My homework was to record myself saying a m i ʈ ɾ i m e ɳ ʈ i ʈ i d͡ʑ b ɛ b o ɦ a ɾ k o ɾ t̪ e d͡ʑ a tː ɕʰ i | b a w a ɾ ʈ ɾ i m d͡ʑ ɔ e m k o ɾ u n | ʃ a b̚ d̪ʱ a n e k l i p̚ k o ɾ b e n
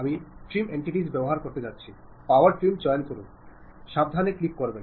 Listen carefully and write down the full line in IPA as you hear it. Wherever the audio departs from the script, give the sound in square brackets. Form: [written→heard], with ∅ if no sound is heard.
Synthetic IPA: a m i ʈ ɾ i m e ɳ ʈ i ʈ i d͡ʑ b ɛ b o ɦ a ɾ k o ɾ t̪ e d͡ʑ a tː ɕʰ i | [b→p] a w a ɾ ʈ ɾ i m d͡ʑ ɔ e [m→n] k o ɾ u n | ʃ a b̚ d̪ʱ a n e k l i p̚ k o ɾ b e n